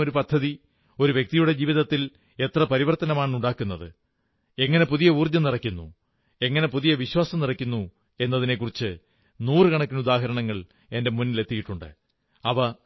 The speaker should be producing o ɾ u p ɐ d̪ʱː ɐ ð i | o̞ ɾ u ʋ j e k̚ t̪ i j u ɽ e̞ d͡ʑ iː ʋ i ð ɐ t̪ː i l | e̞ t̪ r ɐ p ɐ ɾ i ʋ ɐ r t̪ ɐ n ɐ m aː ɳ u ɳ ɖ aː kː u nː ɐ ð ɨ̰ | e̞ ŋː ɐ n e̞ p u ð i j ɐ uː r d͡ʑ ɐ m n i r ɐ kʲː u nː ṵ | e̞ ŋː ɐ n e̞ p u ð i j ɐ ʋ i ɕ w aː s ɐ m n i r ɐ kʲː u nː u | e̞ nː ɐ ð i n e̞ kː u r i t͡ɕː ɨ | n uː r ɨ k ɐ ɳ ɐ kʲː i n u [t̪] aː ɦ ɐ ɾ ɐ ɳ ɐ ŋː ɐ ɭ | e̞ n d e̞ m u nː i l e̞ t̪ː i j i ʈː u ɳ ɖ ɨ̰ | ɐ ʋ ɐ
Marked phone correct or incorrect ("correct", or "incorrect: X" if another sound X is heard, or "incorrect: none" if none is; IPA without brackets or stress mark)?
incorrect: d̪